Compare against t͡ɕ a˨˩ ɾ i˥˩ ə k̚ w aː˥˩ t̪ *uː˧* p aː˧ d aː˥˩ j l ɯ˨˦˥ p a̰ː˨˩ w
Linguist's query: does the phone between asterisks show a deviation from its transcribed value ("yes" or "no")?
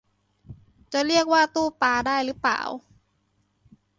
yes